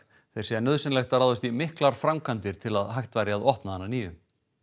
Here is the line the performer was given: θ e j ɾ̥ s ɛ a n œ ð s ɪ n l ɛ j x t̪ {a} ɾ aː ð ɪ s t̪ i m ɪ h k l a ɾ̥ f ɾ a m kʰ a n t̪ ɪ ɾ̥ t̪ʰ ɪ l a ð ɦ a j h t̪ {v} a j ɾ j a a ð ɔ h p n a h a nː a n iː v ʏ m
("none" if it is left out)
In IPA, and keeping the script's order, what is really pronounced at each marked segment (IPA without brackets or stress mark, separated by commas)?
a, v